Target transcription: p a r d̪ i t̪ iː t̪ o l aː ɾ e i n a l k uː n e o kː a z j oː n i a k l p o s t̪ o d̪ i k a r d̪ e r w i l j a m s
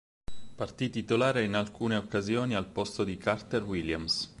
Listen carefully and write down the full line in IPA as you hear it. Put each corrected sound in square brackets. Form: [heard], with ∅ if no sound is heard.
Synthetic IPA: p a r [t̪] i t̪ [i] t̪ o l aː ɾ e i n a l k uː n e o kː a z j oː n i a [∅] l p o s t̪ o d̪ i k a r [t̪] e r w i l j a m s